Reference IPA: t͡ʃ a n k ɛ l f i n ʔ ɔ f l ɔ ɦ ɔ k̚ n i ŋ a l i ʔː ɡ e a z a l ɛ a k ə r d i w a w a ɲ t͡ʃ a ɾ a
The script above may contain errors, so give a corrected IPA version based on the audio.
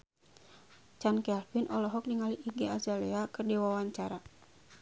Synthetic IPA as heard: t͡ʃ a n k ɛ l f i n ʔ ɔ l ɔ ɦ ɔ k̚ n i ŋ a l i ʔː ɡ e a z a l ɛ a k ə r d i w a w a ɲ t͡ʃ a ɾ a